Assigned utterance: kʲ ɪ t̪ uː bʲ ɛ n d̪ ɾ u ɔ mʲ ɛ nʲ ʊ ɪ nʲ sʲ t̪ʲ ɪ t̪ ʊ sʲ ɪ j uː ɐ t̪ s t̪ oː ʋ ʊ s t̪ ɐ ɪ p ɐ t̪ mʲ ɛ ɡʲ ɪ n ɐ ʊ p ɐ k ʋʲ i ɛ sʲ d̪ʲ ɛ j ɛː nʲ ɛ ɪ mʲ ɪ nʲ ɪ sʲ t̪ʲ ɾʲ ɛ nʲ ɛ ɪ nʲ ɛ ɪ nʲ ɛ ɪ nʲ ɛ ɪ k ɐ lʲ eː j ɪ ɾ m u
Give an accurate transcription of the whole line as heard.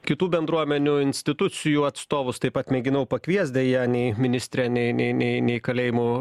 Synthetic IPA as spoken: kʲ ɪ t̪ uː bʲ ɛ n d̪ ɾ u ɔ mʲ ɛ nʲ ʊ ɪ nʲ sʲ t̪ʲ ɪ t̪ ʊ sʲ ɪ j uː ɐ t̪ s t̪ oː ʋ ʊ s t̪ ɐ ɪ p ɐ t̪ mʲ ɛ ɡʲ ɪ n ɐ ʊ p ɐ k ʋʲ i ɛ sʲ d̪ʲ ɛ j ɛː nʲ ɛ ɪ mʲ ɪ nʲ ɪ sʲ t̪ʲ ɾʲ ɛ nʲ ɛ ɪ nʲ ɛ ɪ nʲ ɛ ɪ nʲ ɛ ɪ k ɐ lʲ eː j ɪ m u